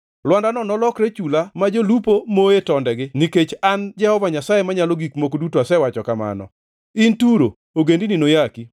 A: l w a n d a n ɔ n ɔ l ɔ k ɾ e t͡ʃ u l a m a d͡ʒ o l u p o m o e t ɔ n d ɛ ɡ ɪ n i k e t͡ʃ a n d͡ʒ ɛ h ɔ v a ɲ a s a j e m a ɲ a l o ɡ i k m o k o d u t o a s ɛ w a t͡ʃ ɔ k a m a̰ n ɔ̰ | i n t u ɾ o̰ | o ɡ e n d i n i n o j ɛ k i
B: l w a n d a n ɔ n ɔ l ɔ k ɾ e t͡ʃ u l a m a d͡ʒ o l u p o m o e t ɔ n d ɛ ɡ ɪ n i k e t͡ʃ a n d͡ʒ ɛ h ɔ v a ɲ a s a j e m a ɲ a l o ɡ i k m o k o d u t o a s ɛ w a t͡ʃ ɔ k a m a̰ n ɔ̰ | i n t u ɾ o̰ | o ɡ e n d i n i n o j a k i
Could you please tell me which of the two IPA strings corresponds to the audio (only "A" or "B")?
B